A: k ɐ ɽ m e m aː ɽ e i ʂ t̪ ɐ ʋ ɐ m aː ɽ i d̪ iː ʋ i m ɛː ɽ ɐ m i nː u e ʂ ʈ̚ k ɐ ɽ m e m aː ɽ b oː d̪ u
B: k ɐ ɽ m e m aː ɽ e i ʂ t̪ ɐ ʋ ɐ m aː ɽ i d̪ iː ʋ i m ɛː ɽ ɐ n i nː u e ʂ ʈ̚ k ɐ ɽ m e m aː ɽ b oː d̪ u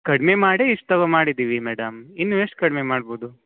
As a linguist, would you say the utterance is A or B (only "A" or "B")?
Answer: A